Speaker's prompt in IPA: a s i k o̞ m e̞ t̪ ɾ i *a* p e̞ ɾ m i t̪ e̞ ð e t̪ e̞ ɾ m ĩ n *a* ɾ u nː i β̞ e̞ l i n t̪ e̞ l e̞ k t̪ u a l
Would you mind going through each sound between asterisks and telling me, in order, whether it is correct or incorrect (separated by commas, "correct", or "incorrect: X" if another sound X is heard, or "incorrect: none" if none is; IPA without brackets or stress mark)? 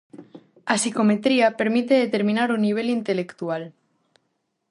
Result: correct, correct